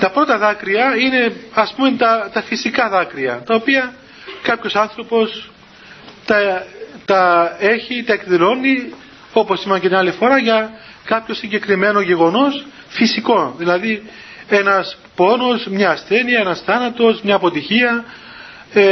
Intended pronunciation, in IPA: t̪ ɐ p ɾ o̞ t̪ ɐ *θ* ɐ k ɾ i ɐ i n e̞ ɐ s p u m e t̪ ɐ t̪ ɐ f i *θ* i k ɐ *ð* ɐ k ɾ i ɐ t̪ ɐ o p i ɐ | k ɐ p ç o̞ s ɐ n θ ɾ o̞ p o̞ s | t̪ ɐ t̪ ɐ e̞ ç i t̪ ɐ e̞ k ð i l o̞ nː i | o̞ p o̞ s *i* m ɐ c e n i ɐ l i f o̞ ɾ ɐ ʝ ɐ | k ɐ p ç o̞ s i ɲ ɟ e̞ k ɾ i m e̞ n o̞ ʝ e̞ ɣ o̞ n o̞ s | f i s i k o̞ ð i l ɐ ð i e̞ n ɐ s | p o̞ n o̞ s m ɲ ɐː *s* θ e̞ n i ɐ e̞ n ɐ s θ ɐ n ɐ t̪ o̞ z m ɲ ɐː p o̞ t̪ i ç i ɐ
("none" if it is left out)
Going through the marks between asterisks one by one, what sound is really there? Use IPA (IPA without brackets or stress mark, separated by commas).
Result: ð, s, ð, i, s